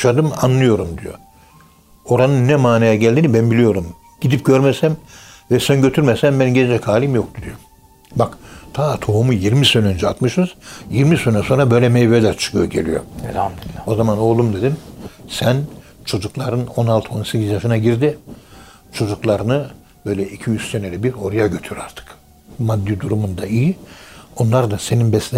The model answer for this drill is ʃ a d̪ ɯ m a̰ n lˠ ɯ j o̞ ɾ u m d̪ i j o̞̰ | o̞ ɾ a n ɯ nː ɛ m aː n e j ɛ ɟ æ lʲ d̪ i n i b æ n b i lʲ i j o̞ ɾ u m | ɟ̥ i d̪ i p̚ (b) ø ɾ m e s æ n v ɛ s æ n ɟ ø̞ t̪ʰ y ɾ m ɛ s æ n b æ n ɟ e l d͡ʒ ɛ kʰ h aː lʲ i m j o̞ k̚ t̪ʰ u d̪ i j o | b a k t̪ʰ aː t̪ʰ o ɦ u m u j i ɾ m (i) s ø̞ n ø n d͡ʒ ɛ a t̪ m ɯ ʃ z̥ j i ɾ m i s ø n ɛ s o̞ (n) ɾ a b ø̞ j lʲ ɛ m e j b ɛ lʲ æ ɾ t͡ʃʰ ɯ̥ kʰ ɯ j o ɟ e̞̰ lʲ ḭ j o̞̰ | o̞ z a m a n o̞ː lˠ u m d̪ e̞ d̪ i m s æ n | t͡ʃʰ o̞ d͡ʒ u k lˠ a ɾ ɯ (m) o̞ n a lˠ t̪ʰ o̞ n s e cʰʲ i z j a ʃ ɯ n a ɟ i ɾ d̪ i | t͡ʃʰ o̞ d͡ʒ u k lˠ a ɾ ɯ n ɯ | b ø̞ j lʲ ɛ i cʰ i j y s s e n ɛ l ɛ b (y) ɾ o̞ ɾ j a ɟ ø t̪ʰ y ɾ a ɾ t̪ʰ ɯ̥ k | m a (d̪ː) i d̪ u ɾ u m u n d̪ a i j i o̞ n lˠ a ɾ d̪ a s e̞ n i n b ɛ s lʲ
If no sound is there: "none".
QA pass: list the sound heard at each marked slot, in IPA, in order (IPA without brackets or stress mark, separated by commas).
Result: ɟ, i, n, n, i, d̪ː